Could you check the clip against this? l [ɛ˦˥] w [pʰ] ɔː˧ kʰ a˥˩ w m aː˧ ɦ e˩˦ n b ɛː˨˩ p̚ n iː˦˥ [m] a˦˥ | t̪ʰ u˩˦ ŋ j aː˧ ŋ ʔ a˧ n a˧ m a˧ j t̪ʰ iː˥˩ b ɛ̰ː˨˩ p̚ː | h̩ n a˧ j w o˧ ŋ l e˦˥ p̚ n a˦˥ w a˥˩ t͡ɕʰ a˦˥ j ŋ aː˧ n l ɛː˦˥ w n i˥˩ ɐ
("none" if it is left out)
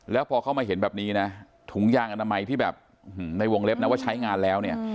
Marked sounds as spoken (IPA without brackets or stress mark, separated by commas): ɛː˦˥, pʰ, n